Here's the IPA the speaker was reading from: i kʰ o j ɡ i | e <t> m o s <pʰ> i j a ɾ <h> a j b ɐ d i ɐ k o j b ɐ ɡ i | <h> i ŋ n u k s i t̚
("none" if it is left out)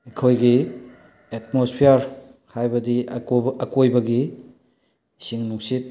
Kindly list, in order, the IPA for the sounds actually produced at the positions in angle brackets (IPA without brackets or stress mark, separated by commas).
t, pʰ, h, s